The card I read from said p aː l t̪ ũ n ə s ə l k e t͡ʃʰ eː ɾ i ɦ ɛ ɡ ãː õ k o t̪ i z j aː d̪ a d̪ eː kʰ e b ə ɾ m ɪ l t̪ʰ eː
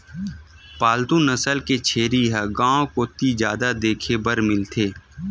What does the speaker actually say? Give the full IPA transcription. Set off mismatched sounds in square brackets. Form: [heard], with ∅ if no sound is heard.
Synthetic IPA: p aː l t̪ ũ n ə s ə l k e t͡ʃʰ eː ɾ i ɦ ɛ ɡ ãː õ k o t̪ i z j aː d̪ a d̪ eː kʰ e b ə ɾ m ɪ l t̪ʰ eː